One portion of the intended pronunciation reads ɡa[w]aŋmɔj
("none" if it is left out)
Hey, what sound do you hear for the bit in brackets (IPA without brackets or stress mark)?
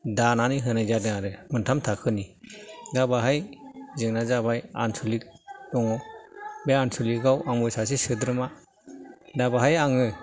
w